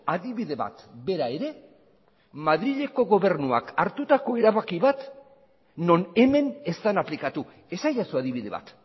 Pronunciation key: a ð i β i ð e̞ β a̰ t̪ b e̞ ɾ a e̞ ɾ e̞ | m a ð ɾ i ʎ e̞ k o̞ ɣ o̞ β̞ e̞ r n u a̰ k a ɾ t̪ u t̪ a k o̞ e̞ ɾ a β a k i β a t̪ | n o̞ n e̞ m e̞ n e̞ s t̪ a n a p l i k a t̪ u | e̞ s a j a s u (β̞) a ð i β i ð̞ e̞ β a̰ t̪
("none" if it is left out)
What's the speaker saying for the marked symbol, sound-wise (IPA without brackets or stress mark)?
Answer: none